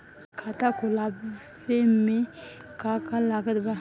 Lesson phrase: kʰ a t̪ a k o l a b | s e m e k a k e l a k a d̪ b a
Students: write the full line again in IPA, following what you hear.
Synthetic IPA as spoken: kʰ a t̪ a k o l a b | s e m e k a k a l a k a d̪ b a